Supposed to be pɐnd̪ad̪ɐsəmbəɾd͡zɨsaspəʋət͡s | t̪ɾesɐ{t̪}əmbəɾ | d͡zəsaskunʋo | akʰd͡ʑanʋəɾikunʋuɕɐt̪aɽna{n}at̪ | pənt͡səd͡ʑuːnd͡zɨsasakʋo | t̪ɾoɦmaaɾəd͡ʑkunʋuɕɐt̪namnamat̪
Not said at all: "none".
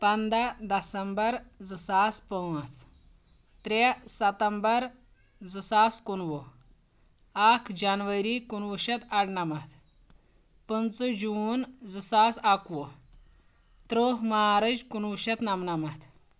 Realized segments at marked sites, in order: t̪, m

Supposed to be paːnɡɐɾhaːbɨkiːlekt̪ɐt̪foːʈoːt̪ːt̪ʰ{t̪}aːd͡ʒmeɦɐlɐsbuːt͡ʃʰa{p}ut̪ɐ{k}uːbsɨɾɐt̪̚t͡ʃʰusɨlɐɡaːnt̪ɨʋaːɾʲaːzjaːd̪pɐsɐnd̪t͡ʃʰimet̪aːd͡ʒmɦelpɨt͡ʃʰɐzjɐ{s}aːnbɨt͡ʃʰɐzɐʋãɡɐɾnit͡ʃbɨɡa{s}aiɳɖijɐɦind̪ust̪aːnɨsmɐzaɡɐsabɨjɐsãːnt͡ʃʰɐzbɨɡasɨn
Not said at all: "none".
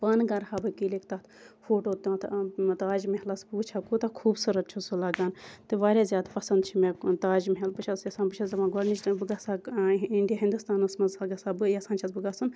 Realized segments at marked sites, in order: t̪, k, kʰ, s, s

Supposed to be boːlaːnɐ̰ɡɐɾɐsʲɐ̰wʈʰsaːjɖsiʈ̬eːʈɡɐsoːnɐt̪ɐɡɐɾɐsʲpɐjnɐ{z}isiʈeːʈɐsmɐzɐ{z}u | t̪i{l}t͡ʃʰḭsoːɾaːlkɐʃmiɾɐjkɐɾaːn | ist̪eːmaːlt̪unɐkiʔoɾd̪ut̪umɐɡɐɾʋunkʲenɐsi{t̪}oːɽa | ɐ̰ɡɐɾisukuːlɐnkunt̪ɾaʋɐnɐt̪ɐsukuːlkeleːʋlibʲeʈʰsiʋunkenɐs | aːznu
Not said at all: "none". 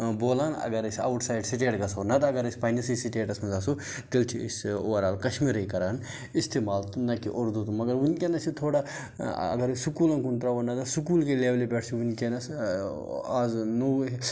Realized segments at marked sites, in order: s, s, l, t̪ʰ

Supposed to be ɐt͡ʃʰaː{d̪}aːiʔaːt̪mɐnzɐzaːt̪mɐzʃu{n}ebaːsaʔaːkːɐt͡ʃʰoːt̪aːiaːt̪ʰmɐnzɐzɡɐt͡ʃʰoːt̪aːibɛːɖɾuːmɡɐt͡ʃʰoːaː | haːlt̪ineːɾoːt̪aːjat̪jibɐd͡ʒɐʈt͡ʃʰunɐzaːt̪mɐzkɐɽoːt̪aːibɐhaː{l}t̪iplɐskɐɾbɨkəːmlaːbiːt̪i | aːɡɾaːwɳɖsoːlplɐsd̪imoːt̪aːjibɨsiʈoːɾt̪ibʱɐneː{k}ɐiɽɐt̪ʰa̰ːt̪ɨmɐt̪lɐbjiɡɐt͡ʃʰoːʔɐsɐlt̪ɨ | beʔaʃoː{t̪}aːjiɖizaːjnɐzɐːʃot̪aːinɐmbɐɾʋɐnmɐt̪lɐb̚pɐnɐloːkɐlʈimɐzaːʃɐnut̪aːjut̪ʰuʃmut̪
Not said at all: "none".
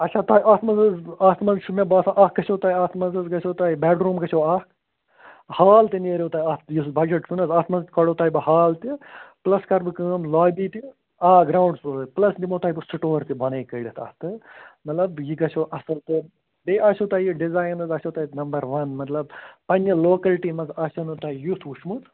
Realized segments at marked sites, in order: t̪, m, l, k, t̪

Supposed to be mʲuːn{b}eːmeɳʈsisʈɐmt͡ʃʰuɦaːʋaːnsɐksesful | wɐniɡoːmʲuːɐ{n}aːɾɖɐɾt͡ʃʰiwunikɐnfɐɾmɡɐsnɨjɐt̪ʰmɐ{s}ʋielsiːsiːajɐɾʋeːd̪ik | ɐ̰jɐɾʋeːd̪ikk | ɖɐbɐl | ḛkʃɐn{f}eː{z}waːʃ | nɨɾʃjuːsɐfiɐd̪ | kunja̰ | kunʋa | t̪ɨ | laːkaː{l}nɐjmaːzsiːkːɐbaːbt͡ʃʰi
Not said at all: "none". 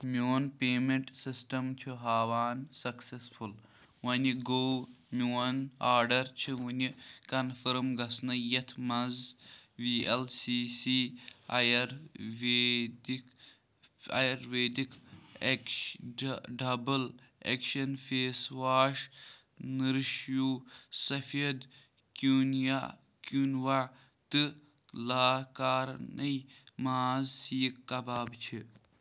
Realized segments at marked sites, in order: p, n, z, f, s, ɾ

